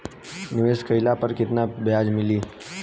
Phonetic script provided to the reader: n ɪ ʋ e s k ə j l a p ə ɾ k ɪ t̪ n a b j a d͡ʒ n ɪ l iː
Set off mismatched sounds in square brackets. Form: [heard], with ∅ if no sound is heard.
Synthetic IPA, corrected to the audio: n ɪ ʋ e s k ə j l a p ə ɾ k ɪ t̪ n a b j a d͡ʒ [m] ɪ l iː